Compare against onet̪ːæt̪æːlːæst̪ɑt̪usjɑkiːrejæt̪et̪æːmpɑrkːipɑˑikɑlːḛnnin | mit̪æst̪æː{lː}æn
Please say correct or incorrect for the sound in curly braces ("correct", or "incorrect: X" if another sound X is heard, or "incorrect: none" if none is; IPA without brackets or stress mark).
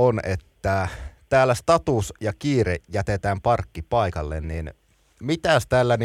correct